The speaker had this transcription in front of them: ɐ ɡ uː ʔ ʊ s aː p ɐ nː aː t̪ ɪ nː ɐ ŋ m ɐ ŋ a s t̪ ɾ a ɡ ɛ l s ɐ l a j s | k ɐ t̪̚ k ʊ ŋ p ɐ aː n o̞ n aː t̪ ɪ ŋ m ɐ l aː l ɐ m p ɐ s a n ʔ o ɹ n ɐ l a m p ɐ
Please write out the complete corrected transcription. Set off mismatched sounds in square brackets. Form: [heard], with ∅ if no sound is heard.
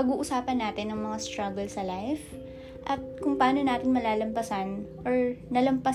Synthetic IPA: ɐ ɡ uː ʔ ʊ s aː p ɐ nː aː t̪ ɪ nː ɐ ŋ m ɐ ŋ a s t̪ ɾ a ɡ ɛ l s ɐ l a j [f] | [ʔ] ɐ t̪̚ k ʊ ŋ p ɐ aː n o̞ n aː t̪ ɪ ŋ m ɐ l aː l ɐ m p ɐ s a n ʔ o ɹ n ɐ l [ɐ] m p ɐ